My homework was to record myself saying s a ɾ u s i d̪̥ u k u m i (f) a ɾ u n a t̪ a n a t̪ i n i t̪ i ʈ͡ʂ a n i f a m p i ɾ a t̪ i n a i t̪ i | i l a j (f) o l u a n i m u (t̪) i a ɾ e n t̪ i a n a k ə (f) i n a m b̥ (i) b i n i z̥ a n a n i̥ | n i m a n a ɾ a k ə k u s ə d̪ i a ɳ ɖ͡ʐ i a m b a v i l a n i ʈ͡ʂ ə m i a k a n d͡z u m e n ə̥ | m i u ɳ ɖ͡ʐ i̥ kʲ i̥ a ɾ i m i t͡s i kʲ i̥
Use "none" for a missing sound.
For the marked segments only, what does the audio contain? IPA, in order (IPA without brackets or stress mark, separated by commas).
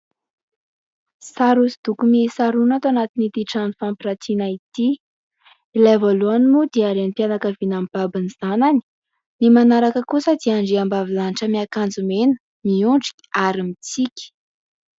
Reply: s, v, d̪, v, a